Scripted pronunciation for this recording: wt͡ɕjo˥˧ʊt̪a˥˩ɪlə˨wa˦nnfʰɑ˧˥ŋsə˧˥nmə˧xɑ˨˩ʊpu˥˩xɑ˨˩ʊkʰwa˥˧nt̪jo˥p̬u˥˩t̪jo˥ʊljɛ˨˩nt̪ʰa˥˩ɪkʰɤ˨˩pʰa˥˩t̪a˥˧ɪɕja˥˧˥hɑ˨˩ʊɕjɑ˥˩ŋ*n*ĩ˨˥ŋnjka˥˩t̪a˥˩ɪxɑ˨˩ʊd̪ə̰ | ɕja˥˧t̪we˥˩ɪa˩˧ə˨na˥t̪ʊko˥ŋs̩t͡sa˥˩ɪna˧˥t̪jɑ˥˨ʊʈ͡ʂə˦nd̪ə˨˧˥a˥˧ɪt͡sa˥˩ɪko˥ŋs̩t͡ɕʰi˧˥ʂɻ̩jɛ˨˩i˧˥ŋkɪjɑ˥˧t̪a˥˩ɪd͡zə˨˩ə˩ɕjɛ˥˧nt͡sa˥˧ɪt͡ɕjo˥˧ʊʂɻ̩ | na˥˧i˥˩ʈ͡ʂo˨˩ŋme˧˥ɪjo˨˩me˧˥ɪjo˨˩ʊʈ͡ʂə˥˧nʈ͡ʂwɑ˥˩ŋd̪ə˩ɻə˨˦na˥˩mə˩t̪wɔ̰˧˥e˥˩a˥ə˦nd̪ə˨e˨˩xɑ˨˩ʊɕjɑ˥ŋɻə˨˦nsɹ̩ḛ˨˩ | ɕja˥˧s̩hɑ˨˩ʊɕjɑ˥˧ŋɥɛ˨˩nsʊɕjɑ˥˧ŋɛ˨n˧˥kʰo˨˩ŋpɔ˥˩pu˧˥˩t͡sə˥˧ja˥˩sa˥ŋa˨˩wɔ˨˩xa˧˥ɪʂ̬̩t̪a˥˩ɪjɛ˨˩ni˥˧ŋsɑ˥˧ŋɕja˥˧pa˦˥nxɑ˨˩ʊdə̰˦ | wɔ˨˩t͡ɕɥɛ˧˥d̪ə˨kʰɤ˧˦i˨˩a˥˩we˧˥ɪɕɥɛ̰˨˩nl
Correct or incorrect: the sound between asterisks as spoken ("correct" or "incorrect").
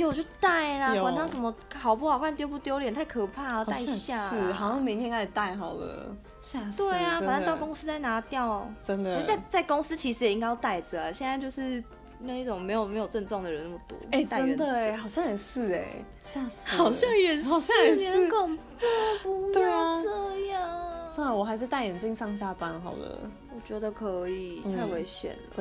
incorrect